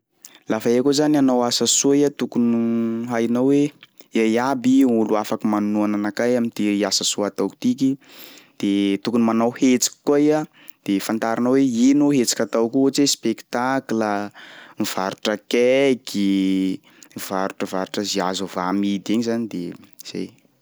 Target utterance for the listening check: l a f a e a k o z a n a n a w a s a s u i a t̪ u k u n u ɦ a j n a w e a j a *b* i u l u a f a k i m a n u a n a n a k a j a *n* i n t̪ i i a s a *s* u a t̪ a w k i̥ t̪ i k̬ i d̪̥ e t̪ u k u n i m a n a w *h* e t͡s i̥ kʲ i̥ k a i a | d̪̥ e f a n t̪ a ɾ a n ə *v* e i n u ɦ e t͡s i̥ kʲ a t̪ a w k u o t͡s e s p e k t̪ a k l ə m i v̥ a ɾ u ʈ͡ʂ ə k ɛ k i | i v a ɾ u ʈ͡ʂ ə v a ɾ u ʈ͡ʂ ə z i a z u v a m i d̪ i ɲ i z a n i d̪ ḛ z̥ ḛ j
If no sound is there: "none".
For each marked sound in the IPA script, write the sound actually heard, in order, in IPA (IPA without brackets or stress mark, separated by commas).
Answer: b, m, s, h, w